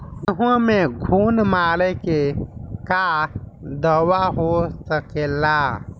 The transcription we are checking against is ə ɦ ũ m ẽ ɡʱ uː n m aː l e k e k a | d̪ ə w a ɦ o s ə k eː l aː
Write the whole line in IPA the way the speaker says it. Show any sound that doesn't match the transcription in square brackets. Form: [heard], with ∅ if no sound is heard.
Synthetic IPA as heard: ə ɦ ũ m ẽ ɡʱ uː n m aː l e k e k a | d̪ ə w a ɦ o s ə k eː l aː